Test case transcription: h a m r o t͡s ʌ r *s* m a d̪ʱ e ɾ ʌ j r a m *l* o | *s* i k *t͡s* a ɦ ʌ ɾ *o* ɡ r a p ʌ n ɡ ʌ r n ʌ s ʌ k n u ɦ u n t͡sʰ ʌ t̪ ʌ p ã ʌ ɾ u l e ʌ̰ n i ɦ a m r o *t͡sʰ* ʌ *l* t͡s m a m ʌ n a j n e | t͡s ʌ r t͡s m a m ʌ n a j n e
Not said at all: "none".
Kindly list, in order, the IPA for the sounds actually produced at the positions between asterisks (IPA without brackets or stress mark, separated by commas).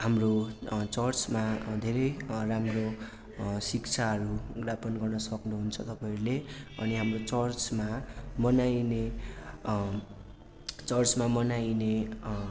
t͡s, r, s, t͡sʰ, u, t͡s, r